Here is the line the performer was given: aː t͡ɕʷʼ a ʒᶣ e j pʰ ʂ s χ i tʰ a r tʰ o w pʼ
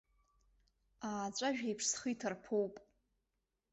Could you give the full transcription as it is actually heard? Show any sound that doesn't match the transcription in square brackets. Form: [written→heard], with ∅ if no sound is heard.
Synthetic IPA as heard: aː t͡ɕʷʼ a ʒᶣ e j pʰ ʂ s χ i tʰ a r [tʰ→pʰ] o w pʼ